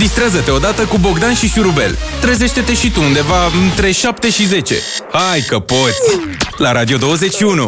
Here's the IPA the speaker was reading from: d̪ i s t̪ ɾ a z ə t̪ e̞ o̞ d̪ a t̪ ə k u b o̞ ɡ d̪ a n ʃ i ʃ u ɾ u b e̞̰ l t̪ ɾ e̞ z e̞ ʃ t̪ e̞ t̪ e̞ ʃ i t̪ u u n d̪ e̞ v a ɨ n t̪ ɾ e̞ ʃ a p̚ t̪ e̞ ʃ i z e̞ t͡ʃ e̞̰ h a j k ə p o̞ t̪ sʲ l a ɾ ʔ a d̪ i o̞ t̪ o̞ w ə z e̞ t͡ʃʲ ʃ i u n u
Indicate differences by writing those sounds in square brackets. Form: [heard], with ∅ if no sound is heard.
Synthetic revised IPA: d̪ i s t̪ ɾ a z ə t̪ e̞ o̞ d̪ a t̪ ə k u b o̞ ɡ d̪ a n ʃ i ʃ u ɾ u b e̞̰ l t̪ ɾ e̞ z e̞ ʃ t̪ e̞ t̪ e̞ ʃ i t̪ u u n d̪ e̞ v a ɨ n t̪ ɾ e̞ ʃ a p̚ t̪ e̞ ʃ i z e̞ t͡ʃ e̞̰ h a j k ə p o̞ t̪ sʲ l a ɾ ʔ a d̪ i o̞ [d̪] o̞ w ə z e̞ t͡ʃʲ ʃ i u n u